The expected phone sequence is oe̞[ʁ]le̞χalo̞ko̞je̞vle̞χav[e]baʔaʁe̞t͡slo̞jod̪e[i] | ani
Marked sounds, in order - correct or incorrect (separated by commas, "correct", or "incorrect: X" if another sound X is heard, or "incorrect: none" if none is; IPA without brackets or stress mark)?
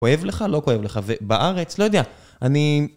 incorrect: v, correct, incorrect: a